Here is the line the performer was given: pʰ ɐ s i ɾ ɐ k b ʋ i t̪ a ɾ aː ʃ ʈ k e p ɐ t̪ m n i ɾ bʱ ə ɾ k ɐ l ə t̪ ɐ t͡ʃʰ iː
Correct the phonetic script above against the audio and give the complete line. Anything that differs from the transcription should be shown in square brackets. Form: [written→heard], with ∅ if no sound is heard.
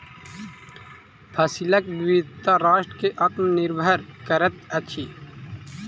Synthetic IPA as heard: pʰ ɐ s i [ɾ→l] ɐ k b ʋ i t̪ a ɾ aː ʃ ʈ k e [p→ʔ] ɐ t̪ m n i ɾ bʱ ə ɾ k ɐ [l→ɾ] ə t̪ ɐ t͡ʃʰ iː